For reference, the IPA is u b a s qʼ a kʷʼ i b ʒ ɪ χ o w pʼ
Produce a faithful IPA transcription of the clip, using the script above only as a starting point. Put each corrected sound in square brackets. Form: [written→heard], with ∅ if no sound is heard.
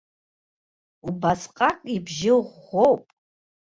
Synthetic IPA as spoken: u b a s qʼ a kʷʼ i b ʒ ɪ [χ→ʁ] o w pʼ